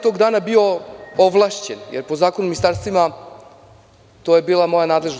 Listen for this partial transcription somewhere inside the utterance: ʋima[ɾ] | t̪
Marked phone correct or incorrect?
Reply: incorrect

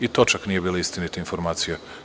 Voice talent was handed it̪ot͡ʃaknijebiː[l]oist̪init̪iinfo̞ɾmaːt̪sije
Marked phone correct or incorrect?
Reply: correct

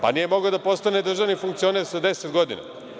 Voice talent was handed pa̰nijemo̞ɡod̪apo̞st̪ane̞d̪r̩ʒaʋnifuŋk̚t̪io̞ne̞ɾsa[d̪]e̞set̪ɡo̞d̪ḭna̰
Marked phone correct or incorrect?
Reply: correct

